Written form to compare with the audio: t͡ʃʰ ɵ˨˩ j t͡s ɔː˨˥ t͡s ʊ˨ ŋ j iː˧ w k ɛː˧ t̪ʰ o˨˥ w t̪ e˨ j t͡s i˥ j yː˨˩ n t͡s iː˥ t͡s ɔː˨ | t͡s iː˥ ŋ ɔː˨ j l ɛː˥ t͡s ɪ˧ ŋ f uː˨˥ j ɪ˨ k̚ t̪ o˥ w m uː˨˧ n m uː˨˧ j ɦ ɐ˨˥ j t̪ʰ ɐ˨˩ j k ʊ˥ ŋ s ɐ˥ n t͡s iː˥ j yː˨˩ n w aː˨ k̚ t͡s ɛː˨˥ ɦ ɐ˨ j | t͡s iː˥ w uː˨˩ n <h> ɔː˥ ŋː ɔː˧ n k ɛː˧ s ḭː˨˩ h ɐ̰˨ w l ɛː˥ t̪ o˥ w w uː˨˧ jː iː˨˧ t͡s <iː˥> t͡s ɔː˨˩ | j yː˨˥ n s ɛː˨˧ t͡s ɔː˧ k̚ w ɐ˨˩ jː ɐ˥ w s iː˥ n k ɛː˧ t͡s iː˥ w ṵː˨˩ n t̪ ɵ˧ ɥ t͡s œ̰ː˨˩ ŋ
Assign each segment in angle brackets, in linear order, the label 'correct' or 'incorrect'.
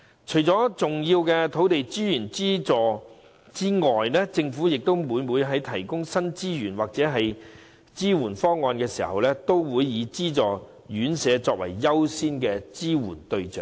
incorrect, correct

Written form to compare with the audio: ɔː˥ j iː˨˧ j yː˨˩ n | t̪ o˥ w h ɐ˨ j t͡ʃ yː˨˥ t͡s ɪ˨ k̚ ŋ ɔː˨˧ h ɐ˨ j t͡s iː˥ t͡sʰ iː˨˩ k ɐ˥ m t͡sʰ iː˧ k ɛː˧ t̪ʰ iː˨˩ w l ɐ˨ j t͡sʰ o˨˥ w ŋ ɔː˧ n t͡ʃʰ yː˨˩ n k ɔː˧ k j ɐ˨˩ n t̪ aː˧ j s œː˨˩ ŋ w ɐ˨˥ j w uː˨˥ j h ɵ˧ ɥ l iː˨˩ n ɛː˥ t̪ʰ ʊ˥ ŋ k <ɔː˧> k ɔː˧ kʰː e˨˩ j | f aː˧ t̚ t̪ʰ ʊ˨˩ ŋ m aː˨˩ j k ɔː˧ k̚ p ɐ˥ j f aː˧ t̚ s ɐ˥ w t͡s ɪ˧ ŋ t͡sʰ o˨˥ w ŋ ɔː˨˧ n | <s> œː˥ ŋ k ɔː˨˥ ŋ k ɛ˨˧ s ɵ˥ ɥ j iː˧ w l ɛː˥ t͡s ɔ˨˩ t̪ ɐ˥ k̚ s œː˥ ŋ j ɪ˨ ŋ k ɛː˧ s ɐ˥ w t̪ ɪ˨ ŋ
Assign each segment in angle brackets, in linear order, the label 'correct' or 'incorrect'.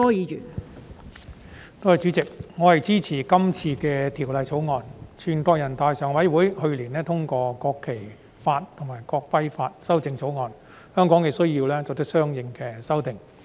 correct, incorrect

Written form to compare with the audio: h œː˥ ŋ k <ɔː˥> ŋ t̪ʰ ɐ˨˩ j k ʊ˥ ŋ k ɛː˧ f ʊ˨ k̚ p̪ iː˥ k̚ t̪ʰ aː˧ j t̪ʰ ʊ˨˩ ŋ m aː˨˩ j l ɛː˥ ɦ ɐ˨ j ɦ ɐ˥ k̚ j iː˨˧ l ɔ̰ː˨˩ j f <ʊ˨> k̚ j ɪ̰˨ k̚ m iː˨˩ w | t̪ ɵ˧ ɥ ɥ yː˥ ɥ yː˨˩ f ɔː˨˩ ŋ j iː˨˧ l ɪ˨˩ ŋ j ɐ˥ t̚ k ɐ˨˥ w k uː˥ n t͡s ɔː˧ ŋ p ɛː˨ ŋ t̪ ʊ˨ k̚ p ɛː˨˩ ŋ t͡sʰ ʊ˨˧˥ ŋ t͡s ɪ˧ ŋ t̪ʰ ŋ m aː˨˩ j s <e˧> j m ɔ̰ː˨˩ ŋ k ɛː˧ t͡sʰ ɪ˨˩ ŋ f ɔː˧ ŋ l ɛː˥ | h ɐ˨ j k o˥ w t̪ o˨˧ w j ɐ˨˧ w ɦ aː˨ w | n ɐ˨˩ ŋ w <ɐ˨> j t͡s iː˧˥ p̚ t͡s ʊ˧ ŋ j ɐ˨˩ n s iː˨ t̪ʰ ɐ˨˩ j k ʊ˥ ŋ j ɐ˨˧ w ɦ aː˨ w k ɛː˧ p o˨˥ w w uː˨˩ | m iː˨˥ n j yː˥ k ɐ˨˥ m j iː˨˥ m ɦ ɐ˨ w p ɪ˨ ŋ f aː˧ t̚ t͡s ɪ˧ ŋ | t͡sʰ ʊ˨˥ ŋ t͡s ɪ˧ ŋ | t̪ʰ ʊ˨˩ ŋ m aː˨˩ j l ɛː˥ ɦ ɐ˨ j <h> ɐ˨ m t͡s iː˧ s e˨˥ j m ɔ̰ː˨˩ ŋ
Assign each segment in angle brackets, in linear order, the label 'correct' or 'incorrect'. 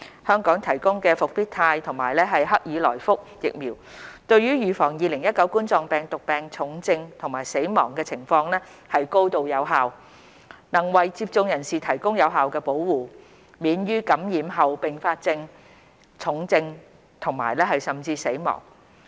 incorrect, incorrect, incorrect, correct, incorrect

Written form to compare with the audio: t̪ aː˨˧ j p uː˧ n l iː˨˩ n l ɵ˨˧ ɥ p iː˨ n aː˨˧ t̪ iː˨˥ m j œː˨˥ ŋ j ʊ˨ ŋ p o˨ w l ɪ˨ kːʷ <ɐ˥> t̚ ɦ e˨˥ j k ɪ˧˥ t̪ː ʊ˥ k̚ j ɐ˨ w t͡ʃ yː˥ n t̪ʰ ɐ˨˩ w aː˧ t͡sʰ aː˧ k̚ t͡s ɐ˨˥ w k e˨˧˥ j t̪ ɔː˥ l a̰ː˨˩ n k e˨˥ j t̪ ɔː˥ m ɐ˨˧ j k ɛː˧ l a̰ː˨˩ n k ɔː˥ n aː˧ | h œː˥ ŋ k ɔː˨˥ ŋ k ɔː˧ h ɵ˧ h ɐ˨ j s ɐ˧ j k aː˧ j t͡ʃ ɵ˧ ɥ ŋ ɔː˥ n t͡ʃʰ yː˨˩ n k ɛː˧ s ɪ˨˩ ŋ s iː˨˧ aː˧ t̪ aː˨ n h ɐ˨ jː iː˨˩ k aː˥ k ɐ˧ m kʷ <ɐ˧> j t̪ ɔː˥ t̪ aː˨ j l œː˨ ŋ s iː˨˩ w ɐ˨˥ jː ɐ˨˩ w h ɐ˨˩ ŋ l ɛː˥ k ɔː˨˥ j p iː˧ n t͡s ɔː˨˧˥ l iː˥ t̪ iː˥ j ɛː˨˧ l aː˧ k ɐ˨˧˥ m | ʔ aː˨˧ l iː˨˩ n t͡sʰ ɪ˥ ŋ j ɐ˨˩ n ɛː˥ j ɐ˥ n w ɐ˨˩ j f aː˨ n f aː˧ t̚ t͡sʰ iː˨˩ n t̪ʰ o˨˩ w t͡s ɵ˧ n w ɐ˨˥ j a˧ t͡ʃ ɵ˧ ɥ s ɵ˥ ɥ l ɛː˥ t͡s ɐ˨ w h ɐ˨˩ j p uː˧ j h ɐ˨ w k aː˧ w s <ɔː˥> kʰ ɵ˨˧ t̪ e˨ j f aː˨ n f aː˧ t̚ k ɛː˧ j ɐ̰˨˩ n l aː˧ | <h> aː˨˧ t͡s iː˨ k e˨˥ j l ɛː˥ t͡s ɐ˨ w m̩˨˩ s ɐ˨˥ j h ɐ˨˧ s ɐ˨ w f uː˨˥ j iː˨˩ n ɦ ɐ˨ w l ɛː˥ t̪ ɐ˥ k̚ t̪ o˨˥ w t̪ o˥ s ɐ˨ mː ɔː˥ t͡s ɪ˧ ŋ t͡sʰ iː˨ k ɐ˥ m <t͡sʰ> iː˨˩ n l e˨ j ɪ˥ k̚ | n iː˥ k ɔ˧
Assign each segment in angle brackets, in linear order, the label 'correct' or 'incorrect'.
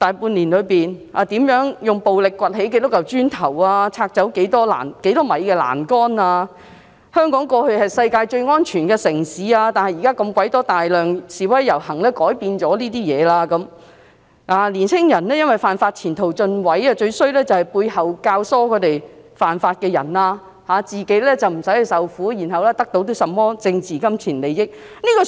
incorrect, incorrect, correct, correct, correct

